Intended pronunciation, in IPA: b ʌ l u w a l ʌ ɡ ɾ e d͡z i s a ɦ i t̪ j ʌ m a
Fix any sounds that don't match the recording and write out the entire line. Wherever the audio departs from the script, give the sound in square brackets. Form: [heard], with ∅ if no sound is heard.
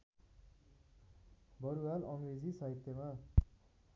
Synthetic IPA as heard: b ʌ [ɾ] u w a l ʌ [ŋ] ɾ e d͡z i s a ɦ i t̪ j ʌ m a